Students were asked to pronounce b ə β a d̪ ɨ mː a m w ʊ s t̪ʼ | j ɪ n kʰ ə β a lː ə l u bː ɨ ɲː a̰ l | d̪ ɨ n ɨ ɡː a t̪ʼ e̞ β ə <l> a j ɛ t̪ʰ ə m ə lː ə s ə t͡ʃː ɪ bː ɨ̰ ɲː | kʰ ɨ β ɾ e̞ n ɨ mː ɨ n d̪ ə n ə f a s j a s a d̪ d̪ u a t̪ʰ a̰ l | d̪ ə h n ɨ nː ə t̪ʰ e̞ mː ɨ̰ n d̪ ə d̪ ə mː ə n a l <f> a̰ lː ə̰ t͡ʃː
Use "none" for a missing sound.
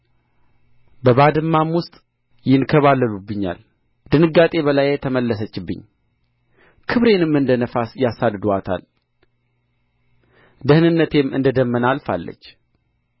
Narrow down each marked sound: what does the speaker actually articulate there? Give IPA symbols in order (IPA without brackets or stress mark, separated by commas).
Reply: l, f